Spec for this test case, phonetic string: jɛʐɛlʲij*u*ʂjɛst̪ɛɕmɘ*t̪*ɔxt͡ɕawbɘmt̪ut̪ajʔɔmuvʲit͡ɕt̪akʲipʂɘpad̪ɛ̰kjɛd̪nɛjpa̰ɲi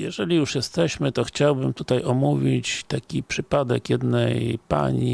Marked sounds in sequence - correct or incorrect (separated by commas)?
correct, correct